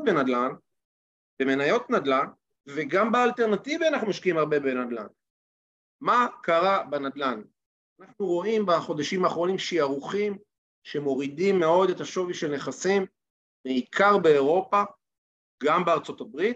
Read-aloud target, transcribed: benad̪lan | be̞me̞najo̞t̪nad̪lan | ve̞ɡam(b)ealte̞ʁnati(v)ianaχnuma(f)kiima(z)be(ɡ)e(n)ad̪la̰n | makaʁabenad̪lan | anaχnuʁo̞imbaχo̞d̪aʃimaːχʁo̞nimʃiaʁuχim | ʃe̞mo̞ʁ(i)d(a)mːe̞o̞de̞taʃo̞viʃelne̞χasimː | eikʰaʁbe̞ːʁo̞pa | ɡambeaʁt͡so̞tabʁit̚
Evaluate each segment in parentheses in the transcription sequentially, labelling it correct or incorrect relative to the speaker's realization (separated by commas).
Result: correct, correct, incorrect, incorrect, incorrect, correct, correct, incorrect